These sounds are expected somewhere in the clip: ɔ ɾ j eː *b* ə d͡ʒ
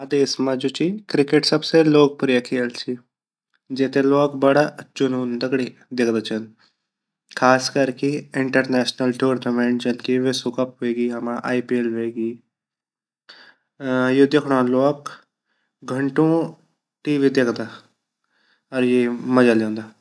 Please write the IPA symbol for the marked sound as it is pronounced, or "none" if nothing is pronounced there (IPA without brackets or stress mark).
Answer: m